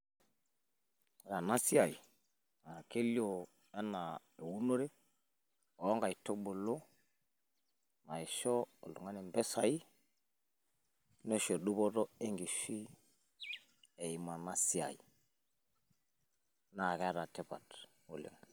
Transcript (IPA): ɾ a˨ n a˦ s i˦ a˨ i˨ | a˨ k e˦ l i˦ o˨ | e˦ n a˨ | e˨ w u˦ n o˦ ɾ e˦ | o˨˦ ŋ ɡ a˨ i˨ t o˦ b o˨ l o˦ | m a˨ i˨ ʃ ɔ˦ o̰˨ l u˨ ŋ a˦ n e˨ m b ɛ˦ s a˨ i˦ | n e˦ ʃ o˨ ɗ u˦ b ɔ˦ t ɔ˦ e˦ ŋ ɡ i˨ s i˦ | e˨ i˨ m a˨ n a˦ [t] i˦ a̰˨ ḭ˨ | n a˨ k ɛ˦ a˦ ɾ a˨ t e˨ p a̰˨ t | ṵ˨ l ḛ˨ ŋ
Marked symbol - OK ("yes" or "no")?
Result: no